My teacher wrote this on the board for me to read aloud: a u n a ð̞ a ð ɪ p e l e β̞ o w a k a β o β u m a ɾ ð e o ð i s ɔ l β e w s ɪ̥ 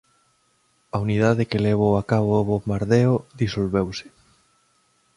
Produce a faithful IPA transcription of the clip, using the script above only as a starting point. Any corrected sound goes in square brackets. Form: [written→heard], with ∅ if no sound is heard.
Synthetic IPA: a u n [a→i] ð̞ a ð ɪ [p→k] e l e β̞ o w a k a β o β [u→o] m a ɾ ð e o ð i s [ɔ→o] l β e w s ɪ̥